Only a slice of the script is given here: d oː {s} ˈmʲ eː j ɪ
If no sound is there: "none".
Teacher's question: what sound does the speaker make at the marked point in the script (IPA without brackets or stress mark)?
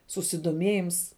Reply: none